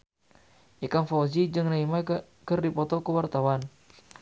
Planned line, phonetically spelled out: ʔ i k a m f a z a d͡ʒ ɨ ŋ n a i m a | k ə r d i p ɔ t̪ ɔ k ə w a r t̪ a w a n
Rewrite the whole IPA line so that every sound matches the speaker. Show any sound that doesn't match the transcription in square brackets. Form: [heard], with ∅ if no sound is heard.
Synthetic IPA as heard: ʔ i k a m f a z [i] d͡ʒ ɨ ŋ n a i m a | k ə r d i p ɔ t̪ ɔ k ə w a r t̪ a w a n